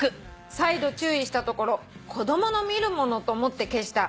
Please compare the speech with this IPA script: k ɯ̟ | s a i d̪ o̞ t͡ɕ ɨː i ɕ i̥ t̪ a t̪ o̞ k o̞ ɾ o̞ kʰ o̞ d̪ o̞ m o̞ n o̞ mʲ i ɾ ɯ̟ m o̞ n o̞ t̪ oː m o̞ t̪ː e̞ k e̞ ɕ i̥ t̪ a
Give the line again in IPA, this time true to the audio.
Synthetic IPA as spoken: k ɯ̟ | s a i d̪ o̞ t͡ɕ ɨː i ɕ i̥ t̪ a t̪ o̞ k o̞ ɾ o̞ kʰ o̞ d̪ o̞ m o̞ n o̞ mʲ i ɾ ɯ̟ m o̞ n o̞ t̪ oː m o̞ t̪ː e̞ k e̞ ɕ i̥ t̪ a